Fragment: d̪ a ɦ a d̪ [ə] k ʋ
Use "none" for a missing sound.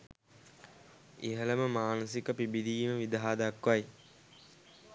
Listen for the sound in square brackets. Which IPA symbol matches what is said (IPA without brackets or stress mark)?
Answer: a